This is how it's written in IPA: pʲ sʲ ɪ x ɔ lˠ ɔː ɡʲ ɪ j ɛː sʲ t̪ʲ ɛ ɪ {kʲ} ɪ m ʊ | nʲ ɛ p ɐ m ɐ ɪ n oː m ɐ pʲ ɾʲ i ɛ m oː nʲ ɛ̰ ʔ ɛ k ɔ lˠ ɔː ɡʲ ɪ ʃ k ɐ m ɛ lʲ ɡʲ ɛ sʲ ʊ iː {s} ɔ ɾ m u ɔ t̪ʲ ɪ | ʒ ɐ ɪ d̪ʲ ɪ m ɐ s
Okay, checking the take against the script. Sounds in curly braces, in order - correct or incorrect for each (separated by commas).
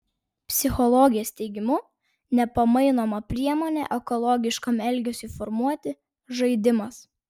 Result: incorrect, incorrect